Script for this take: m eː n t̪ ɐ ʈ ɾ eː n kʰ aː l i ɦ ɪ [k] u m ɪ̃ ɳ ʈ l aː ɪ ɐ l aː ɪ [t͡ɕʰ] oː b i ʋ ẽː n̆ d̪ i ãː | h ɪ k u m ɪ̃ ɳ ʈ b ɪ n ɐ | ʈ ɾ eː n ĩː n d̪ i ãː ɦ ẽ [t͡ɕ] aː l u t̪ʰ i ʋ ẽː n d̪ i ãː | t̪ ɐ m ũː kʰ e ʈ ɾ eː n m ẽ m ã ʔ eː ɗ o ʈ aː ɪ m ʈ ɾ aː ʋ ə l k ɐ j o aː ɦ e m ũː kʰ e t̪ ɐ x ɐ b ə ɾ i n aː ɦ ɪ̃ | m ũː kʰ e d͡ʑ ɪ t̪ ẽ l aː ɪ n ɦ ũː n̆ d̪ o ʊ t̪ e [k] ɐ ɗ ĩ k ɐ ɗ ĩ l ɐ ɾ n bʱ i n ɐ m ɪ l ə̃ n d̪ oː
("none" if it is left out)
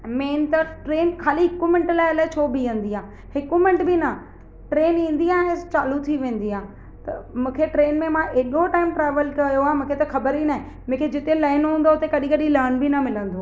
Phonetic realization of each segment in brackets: k, t͡ɕʰ, t͡ɕ, k

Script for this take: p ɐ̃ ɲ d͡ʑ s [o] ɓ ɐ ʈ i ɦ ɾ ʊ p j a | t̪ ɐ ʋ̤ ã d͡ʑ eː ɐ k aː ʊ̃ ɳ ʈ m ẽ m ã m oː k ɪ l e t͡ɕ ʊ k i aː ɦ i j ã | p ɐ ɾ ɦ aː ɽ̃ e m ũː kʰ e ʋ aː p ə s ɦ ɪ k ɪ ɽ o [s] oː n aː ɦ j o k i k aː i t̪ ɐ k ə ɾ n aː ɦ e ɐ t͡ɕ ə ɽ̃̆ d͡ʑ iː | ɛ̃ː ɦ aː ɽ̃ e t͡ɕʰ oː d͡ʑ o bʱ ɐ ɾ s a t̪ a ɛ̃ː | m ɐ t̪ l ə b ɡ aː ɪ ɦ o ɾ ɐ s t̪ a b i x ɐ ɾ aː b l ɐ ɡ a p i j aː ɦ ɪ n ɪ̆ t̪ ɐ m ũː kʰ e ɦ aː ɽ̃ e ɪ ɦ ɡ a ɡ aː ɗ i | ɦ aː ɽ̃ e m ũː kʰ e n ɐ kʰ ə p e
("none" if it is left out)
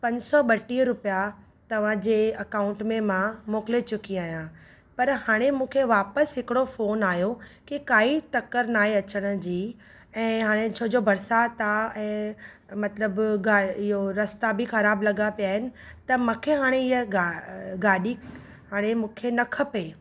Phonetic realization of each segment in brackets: ɔ, f

